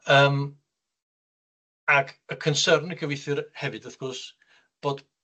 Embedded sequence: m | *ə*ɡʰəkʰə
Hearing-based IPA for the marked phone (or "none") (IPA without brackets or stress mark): a